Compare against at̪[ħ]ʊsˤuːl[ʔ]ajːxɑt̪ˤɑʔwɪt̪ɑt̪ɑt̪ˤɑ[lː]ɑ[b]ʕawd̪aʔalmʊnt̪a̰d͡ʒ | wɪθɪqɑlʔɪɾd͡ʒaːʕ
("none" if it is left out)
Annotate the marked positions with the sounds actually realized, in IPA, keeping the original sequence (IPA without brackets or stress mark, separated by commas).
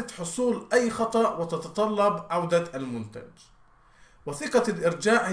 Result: ħ, ʔ, lː, b